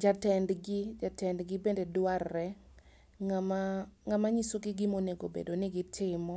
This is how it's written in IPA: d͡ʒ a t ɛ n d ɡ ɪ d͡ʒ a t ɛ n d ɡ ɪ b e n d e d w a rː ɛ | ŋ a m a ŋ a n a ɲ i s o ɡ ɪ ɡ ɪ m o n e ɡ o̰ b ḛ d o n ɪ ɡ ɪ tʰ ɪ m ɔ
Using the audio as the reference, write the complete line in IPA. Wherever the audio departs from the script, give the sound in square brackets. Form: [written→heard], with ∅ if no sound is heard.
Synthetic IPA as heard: d͡ʒ a t ɛ n d ɡ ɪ d͡ʒ a t ɛ n d ɡ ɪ b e n d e d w a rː ɛ | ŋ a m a ŋ a [n→m] a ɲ i s o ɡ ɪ ɡ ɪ m o n e ɡ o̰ b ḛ d o n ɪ ɡ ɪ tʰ ɪ m ɔ